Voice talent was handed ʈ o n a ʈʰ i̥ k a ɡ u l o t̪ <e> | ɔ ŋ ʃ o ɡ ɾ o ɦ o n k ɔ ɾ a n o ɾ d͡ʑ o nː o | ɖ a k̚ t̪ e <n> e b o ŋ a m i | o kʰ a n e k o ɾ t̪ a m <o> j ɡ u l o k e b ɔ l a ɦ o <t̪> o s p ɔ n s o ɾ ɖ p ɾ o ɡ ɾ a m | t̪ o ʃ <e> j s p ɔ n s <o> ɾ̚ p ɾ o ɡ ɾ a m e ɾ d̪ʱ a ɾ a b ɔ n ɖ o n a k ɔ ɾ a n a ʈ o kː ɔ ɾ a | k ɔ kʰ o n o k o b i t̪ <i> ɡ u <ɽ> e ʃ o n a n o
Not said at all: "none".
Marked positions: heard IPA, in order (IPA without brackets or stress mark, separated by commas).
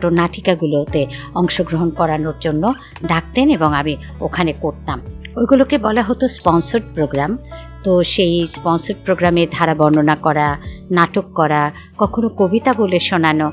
e, n, o, t̪, e, o, a, l